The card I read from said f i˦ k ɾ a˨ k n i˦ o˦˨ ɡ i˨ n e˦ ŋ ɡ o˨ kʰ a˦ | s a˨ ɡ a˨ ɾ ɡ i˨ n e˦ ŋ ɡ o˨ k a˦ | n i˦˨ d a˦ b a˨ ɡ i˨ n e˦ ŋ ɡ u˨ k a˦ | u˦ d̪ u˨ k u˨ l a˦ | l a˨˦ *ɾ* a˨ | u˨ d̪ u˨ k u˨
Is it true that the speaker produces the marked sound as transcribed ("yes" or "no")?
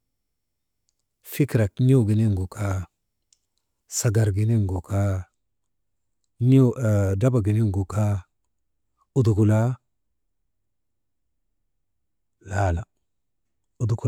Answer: no